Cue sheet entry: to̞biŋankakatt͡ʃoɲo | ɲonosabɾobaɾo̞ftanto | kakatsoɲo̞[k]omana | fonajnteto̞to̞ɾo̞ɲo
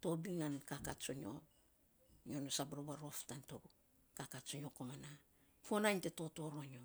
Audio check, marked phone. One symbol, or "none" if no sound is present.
k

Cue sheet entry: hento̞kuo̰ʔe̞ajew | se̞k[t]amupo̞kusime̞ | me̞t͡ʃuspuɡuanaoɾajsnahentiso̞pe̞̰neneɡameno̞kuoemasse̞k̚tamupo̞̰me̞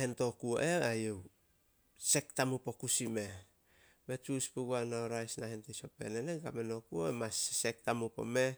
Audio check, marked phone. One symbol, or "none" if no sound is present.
t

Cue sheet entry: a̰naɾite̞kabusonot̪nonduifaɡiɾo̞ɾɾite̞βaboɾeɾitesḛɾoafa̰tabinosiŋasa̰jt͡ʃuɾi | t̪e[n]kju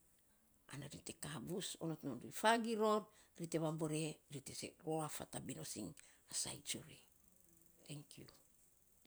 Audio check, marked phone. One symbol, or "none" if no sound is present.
ŋ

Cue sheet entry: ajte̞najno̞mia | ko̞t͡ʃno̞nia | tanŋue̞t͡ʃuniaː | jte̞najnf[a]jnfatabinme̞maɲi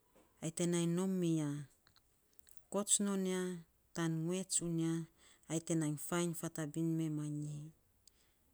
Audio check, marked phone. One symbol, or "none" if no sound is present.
a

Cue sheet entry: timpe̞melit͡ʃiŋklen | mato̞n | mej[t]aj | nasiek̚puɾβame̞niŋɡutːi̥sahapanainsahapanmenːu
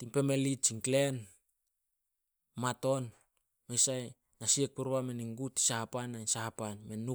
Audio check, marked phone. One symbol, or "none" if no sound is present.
s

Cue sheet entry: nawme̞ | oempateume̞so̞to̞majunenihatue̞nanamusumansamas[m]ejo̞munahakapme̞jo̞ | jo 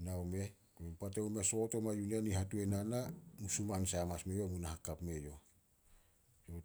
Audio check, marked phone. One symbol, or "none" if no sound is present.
m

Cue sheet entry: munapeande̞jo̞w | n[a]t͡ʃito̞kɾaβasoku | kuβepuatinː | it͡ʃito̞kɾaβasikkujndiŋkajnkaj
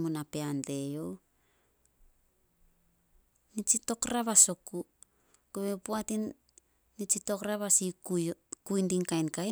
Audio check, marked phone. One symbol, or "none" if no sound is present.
i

